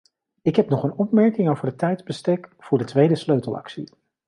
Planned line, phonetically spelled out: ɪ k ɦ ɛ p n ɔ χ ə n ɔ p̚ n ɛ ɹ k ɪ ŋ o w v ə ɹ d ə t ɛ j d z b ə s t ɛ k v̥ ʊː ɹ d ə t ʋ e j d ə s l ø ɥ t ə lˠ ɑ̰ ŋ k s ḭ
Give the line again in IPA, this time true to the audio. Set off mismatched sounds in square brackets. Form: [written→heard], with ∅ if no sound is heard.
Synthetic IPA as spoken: ɪ k ɦ ɛ p n ɔ χ ə n ɔ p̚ [n→m] ɛ ɹ k ɪ ŋ o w v ə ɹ d ə t ɛ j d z b ə s t ɛ k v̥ ʊː ɹ d ə t ʋ e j d ə s l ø ɥ t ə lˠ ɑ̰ [ŋ→∅] k s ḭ